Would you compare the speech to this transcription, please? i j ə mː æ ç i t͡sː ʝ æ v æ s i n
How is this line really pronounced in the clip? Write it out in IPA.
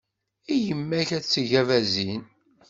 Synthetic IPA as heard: i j ə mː æ ç æ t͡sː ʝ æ v æ z i n

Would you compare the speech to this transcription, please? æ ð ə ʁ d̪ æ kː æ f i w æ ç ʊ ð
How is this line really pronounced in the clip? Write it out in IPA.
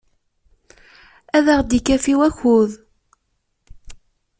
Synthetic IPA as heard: æ ð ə ʁ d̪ i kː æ f i w æ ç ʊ ð

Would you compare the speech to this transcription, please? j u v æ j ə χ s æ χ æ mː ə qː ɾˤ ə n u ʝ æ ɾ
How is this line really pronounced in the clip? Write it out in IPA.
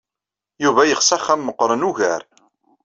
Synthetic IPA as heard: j u v æ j ə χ s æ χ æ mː ə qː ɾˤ ə n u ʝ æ ɾ

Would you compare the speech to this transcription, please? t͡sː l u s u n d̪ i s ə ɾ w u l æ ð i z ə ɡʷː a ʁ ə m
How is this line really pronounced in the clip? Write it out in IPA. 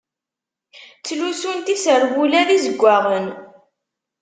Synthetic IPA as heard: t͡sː l u s u n t̪ i s ə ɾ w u l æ ð i z ə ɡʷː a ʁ ə n

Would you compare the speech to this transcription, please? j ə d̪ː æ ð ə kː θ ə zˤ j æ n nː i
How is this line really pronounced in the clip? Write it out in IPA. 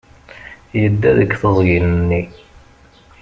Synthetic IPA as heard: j ə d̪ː æ ð ə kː θ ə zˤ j i n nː i

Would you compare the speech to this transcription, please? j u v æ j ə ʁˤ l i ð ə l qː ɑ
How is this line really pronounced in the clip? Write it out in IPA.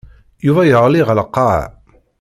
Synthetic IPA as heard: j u v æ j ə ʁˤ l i ʁ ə l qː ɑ

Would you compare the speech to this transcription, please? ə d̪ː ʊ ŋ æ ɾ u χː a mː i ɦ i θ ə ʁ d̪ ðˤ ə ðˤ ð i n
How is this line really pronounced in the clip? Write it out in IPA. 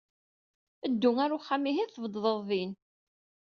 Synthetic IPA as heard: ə d̪ː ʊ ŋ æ ɾ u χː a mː i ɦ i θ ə v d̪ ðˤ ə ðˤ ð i n

